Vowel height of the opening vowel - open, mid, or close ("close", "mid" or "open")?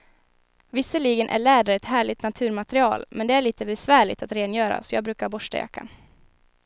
close